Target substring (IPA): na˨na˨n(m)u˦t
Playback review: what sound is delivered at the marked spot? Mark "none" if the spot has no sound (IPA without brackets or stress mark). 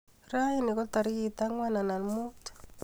m